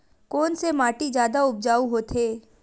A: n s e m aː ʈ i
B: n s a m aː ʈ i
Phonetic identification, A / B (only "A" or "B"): A